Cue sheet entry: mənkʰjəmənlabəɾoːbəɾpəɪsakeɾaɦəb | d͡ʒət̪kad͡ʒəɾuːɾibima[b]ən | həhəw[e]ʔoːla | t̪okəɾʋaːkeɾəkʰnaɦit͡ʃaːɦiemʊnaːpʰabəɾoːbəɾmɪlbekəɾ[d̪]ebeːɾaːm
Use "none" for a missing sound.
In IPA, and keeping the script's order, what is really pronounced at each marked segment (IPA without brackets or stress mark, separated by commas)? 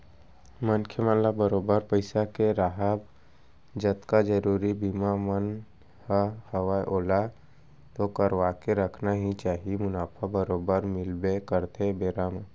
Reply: m, a, t̪